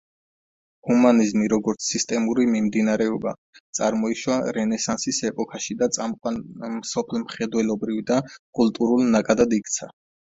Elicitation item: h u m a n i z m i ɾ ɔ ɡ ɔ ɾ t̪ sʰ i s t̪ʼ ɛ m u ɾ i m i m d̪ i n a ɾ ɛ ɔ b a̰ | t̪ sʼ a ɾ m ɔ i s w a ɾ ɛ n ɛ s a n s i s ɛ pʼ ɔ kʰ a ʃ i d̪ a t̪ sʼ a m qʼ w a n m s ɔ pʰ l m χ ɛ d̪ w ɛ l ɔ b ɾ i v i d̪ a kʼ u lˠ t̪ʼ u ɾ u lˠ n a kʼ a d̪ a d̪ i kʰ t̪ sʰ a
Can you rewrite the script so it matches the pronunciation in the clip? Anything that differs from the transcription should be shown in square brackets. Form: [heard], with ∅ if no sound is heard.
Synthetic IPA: h u m a n i z m i ɾ ɔ ɡ ɔ ɾ t̪ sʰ i s t̪ʼ ɛ m u ɾ i m i m d̪ i n a ɾ ɛ ɔ b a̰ | t̪ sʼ a ɾ m ɔ i [ʃ] w a ɾ ɛ n ɛ s a n s i s ɛ pʼ ɔ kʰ a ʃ i d̪ a t̪ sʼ a m qʼ w a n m s ɔ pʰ l m χ ɛ d̪ w ɛ l ɔ b ɾ i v i d̪ a kʼ u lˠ t̪ʼ u ɾ u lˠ n a kʼ a d̪ a d̪ i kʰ t̪ sʰ a